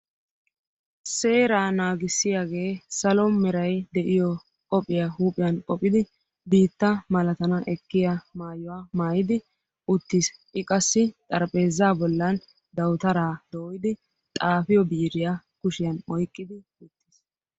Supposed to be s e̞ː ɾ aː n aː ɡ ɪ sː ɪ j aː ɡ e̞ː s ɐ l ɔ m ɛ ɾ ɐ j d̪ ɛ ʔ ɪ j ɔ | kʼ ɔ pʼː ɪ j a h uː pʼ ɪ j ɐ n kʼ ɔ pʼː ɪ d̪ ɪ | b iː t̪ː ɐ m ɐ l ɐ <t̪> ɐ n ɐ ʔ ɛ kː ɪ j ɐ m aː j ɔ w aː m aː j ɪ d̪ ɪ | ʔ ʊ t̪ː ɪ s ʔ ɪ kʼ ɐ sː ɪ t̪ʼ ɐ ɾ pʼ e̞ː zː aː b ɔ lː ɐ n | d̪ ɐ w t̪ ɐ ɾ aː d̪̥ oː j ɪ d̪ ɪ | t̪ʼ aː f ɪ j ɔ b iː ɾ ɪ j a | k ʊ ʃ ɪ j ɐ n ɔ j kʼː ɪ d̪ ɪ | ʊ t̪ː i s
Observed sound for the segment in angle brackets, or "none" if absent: t̪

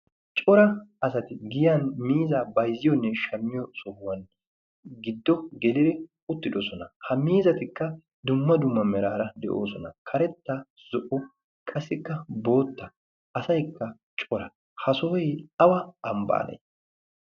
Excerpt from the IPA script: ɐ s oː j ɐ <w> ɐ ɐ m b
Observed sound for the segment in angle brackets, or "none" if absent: w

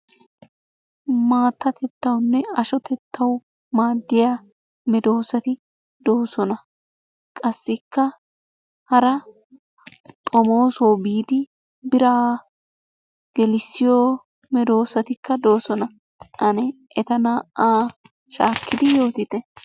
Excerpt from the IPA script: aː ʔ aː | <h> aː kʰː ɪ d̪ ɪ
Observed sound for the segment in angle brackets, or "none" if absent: ʃ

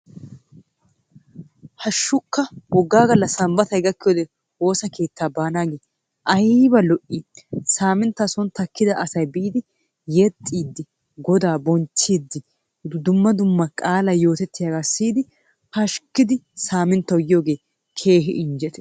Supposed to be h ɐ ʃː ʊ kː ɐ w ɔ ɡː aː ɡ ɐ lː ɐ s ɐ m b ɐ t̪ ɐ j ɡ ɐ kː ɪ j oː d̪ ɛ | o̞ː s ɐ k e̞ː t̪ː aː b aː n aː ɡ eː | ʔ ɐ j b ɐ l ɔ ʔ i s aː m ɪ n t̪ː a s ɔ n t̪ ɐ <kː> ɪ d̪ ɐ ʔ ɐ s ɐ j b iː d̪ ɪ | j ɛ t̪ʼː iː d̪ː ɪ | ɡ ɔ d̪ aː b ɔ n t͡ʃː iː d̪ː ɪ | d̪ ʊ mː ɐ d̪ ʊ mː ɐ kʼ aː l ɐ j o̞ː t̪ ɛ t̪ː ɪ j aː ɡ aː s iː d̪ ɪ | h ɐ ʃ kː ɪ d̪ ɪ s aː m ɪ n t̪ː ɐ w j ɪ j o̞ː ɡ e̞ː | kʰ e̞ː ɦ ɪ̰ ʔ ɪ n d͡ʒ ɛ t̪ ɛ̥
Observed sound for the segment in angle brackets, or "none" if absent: kː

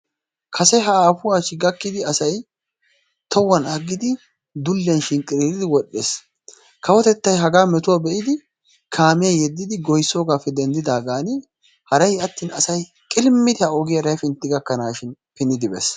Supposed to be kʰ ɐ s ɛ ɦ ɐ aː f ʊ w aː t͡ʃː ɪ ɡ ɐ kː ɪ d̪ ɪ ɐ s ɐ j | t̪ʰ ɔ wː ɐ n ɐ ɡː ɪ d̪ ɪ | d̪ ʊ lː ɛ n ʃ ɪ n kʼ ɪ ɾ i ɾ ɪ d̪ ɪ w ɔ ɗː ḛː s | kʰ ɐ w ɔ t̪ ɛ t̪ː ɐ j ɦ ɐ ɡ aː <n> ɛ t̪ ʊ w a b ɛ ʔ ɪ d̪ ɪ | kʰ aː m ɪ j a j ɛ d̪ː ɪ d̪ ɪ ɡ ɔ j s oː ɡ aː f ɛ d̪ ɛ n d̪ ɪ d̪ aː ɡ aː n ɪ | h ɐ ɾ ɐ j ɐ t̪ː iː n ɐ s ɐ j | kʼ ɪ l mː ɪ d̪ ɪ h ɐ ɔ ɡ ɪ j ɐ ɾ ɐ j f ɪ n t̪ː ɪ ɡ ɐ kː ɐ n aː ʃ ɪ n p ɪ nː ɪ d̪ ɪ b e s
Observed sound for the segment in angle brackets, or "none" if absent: m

